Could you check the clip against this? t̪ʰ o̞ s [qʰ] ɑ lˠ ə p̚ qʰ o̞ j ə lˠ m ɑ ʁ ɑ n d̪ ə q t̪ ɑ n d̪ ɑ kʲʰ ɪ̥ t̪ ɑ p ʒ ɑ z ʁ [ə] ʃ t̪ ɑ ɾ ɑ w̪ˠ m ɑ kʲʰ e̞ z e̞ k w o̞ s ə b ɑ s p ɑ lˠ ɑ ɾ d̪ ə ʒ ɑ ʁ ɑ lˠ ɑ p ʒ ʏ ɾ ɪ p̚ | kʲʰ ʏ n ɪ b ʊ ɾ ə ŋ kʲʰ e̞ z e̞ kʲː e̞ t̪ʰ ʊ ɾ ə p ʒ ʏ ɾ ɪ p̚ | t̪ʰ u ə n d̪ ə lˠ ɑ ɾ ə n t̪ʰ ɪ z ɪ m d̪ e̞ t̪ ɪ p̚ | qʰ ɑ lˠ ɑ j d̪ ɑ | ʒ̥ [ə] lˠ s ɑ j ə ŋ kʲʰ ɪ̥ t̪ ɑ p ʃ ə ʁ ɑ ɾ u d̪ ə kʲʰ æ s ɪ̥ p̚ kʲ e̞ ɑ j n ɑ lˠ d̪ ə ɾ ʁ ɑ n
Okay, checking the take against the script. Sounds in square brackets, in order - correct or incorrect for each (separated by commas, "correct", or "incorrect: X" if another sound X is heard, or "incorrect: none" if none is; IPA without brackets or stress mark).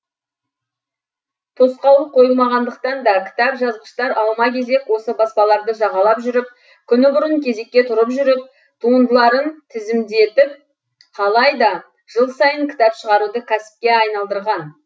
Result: incorrect: q, correct, correct